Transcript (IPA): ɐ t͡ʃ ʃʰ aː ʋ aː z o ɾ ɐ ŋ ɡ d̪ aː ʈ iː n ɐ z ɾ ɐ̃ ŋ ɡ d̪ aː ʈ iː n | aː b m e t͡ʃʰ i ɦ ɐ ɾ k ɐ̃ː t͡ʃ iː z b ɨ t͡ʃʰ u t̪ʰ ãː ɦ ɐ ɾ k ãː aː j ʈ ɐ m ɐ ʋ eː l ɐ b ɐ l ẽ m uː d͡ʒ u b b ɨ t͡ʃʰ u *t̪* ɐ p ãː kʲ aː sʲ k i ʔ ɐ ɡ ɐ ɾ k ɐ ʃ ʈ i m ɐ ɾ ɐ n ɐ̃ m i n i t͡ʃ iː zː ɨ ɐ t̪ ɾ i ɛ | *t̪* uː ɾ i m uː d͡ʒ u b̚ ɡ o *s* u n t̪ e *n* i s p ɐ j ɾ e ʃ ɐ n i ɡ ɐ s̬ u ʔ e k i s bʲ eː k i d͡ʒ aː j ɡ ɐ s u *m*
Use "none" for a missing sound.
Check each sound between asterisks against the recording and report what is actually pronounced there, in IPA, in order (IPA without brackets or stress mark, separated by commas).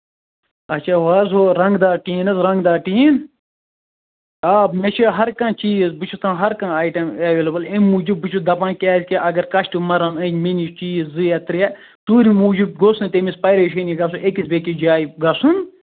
d̪, t̪, s, m, n